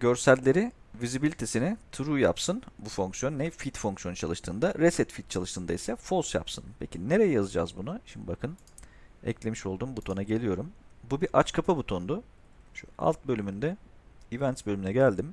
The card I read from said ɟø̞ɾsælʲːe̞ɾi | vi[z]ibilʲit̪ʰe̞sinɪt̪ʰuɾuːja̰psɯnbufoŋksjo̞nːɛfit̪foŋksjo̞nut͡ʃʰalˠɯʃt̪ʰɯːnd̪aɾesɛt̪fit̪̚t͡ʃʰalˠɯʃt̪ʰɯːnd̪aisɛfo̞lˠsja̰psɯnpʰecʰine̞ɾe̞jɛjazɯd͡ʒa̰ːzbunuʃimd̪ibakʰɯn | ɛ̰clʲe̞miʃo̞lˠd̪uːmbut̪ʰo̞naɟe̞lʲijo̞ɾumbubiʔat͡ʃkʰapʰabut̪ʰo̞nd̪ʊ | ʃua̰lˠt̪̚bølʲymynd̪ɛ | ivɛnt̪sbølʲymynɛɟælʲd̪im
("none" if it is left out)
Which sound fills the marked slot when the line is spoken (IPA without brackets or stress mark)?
z